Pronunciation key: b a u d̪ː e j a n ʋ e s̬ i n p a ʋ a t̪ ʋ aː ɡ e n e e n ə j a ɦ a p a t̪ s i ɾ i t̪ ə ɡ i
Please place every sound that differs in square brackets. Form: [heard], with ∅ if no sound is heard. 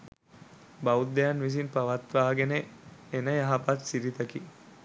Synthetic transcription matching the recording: b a u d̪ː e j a n ʋ [i] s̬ i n p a ʋ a t̪ ʋ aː ɡ e n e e n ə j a ɦ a p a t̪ s i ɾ i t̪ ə [k] i